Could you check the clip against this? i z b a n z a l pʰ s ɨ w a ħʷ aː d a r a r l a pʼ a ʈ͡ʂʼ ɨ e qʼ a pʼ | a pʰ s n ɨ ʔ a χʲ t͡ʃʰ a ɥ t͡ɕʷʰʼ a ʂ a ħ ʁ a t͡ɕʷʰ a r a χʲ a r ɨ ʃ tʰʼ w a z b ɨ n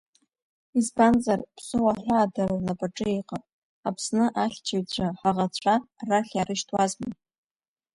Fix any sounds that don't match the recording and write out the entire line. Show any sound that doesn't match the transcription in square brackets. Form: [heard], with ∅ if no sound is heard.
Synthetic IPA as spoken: i z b a n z a [r] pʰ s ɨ w a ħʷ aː d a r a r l a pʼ a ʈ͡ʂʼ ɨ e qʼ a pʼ | a pʰ s n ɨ ʔ a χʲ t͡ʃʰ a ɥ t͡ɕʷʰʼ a [ħ] a [∅] ʁ a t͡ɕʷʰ a r a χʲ a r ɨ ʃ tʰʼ w a z [m] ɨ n